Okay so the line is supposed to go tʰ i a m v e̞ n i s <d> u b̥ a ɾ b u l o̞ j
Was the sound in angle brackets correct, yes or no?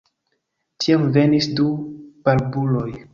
yes